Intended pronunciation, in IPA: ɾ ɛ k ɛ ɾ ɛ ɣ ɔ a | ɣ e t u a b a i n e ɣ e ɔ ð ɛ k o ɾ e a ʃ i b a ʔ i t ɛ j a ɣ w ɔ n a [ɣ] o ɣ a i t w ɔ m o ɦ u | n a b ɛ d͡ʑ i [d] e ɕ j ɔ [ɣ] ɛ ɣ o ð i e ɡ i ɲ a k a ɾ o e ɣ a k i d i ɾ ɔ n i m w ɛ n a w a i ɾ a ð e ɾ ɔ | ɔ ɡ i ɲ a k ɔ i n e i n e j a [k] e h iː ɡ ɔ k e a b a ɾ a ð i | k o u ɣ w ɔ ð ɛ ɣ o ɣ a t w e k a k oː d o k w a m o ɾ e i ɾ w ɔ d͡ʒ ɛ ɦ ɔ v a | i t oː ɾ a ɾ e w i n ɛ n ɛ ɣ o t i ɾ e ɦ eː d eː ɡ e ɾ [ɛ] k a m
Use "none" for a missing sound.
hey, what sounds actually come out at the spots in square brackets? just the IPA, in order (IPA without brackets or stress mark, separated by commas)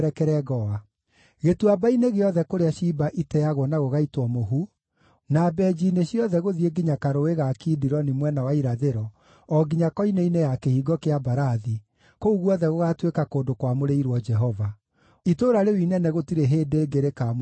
ɣ, n, ð, k, e